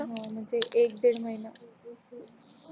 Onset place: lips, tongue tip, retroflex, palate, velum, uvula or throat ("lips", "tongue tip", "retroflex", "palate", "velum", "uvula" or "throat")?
throat